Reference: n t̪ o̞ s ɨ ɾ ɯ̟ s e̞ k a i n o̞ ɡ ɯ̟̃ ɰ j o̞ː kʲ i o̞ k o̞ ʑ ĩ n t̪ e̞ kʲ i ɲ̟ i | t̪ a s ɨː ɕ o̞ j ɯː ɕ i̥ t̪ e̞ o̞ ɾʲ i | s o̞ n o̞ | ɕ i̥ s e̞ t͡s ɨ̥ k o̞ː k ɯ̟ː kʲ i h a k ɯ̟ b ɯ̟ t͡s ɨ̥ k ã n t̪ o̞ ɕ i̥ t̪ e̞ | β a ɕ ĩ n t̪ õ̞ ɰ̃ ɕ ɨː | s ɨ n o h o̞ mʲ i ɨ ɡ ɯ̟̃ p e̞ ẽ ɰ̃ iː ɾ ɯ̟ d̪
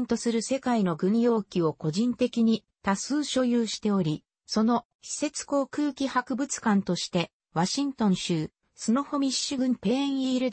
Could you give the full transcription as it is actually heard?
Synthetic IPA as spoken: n t̪ o̞ s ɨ ɾ ɯ̟ s e̞ k a i n o̞ ɡ ɯ̟̃ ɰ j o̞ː kʲ i o̞ k o̞ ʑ ĩ n t̪ e̞ kʲ i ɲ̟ i | t̪ a s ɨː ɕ o̞ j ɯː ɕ i̥ t̪ e̞ o̞ ɾʲ i | s o̞ n o̞ | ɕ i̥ s e̞ t͡s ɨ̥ k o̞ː k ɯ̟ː kʲ i h a k ɯ̟ b ɯ̟ t͡s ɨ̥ k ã n t̪ o̞ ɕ i̥ t̪ e̞ | β a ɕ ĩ n t̪ õ̞ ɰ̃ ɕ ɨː | s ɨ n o h o̞ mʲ i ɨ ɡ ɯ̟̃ p e̞ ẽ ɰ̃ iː ɾ ɯ̟ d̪